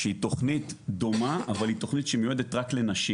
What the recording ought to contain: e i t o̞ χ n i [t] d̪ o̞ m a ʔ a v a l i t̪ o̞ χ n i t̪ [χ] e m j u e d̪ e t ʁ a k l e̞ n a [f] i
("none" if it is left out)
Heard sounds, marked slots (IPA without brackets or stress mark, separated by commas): t, ʃ, ʃ